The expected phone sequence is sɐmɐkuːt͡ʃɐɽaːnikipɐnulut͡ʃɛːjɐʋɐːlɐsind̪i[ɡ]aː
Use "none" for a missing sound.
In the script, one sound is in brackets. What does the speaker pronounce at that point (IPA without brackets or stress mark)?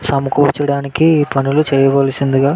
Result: ɡ